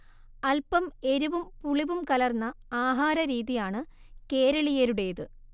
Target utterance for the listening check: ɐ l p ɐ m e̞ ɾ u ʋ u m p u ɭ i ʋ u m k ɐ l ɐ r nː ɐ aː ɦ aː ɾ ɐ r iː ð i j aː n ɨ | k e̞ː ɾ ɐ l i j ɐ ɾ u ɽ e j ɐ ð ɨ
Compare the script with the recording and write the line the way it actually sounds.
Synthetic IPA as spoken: ɐ l p ɐ m e̞ ɾ u ʋ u m p u ɭ i ʋ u m k ɐ l ɐ r nː ɐ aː ɦ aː ɾ ɐ ɾ iː ð i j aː ɳ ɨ | k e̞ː ɾ ɐ ɭ i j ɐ ɾ u ɽ e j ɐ ð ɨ